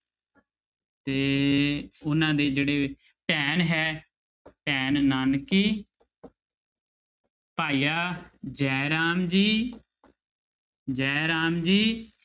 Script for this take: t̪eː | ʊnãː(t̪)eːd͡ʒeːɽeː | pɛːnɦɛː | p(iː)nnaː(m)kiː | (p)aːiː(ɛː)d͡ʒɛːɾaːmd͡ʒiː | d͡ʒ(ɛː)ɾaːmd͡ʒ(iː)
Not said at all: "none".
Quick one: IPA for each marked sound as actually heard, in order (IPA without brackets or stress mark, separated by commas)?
d̪, ɛː, n, p, aː, ɛː, iː